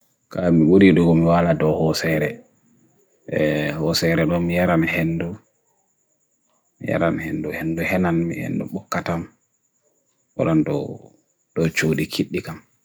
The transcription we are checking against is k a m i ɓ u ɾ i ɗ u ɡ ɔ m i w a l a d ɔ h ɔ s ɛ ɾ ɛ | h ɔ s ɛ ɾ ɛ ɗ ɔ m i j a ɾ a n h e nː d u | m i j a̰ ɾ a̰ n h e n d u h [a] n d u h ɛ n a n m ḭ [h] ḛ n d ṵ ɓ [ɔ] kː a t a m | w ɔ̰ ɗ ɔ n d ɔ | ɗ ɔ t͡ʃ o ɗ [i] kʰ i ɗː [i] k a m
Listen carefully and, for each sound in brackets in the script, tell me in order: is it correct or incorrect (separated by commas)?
incorrect, correct, correct, correct, correct